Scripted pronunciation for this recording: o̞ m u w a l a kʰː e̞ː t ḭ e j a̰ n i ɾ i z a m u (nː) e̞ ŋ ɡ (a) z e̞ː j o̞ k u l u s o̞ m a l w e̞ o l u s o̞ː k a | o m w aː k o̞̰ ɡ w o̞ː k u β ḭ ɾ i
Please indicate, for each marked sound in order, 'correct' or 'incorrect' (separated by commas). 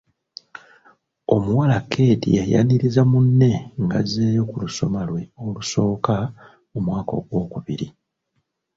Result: correct, correct